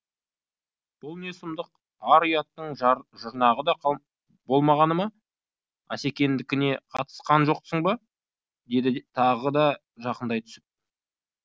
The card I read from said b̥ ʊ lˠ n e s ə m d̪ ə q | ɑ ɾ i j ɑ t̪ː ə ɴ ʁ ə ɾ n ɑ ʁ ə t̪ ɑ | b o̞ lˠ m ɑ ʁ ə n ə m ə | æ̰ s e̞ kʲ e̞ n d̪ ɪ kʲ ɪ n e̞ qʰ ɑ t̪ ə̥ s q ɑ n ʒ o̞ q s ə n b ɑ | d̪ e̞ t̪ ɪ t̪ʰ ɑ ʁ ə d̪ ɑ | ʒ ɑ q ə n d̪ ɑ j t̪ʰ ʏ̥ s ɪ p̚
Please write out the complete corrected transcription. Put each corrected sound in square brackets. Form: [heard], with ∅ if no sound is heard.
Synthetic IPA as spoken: b̥ ʊ lˠ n e s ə m d̪ ə q | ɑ ɾ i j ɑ t̪ː ə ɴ [ʒ] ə ɾ n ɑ ʁ ə [d̪] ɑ | b o̞ lˠ m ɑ ʁ [ɑ] n ə m [ɑ] | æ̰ s e̞ kʲ e̞ n d̪ ɪ kʲ ɪ n e̞ qʰ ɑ t̪ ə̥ s q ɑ n ʒ o̞ q s ə [ɴ] b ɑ | d̪ e̞ [d̪] ɪ t̪ʰ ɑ ʁ ə d̪ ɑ | ʒ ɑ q ə n d̪ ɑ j t̪ʰ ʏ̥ s ɪ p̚